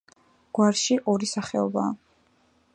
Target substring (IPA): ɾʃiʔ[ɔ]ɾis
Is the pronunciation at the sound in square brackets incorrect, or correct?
correct